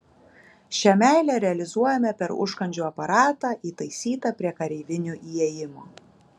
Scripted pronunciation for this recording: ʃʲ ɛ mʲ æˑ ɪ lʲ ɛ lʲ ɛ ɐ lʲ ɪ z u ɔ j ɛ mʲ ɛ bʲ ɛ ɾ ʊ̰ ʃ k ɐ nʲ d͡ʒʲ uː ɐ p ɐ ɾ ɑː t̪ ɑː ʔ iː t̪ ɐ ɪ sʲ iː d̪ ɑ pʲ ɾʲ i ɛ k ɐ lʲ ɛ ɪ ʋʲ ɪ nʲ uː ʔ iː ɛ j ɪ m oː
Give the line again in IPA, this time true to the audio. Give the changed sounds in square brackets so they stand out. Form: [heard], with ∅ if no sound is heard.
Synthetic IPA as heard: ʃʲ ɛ mʲ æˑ ɪ lʲ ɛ [ɾʲ] ɛ ɐ lʲ ɪ z u ɔ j ɛ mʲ ɛ [pʲ] ɛ ɾ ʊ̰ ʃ k ɐ nʲ d͡ʒʲ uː ɐ p ɐ ɾ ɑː t̪ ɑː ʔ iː t̪ ɐ ɪ sʲ iː [t̪] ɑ pʲ ɾʲ i ɛ k ɐ [ɾʲ] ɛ ɪ ʋʲ ɪ nʲ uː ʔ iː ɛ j ɪ m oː